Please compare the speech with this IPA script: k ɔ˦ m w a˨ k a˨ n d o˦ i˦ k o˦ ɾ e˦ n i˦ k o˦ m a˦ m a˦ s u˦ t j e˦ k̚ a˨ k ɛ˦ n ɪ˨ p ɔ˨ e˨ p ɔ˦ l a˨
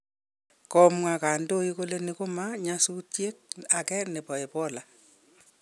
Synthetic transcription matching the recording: k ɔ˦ m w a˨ k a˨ n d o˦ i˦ k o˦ l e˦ n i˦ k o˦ m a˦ ɲ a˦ s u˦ t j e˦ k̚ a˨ k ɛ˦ n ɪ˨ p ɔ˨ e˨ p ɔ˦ l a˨